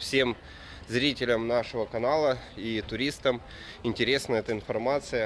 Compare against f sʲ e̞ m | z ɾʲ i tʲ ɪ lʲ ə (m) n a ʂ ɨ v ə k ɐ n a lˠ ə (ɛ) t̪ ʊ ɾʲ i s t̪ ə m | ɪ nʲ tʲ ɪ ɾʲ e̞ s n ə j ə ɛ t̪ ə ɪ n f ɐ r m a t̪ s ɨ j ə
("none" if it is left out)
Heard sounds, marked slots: m, i

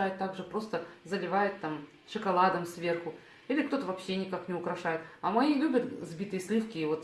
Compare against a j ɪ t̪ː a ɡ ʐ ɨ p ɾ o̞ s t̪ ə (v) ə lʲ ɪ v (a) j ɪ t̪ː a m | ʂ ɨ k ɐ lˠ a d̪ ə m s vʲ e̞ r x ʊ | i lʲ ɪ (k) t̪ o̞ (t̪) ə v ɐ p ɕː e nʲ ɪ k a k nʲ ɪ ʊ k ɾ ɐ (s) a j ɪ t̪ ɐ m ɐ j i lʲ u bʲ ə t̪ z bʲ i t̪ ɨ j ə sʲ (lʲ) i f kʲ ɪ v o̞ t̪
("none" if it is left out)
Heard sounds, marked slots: z, a, k, t̪, ʂ, lʲ

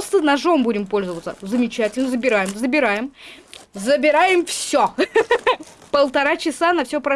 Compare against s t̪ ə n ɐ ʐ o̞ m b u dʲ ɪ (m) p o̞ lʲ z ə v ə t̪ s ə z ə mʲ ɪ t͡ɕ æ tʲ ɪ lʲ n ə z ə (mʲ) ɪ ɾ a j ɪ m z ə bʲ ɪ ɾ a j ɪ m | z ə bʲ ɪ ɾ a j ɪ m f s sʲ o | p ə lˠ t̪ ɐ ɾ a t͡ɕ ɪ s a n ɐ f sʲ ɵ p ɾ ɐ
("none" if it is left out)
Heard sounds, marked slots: m, bʲ

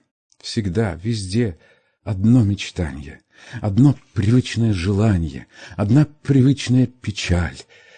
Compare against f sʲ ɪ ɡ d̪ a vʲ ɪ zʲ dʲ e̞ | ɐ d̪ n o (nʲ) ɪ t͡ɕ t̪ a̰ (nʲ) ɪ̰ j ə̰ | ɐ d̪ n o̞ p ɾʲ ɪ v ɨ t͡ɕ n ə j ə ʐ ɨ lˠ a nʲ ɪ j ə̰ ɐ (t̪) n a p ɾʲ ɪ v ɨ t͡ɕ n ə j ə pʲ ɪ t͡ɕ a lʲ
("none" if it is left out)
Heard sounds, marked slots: mʲ, nʲ, d̪

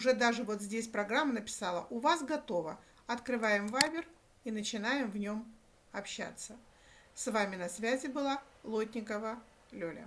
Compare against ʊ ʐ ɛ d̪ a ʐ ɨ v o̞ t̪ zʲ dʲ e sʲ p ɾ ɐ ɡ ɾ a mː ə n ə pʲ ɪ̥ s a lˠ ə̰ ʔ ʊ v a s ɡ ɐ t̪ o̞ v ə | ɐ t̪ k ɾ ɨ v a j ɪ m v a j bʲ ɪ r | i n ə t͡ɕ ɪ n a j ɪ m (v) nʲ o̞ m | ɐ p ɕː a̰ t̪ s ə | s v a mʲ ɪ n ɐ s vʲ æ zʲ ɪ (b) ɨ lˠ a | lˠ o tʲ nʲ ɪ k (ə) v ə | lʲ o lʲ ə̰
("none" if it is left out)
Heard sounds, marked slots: v, b, ə

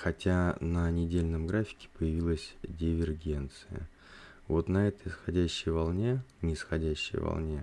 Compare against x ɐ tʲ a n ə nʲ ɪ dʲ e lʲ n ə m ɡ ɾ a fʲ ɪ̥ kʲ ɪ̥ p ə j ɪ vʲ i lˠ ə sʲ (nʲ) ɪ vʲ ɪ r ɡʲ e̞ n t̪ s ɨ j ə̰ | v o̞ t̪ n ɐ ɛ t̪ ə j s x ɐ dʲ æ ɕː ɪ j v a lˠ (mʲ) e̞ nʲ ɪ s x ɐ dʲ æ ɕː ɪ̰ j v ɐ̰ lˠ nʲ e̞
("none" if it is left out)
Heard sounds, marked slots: dʲ, nʲ

